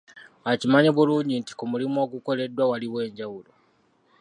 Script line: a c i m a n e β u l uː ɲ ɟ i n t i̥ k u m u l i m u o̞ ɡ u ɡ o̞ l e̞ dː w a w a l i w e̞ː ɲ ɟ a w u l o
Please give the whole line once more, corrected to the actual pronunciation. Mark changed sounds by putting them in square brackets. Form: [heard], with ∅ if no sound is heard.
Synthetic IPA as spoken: a c i m a [ɲ] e β u l uː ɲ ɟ i n t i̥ k u m u l i m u o̞ ɡ u [k] o̞ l e̞ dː w a w a l i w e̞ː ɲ ɟ a w u l o